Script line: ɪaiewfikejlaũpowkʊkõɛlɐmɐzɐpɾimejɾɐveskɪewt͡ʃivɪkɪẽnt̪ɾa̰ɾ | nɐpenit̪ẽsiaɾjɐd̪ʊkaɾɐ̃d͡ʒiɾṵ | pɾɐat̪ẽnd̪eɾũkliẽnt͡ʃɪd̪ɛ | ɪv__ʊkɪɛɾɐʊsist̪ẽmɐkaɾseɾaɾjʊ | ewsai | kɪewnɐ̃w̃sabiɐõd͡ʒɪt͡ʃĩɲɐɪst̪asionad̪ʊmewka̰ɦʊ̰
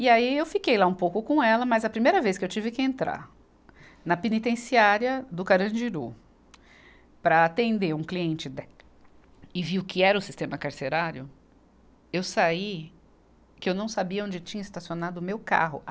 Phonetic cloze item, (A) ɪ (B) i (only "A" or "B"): B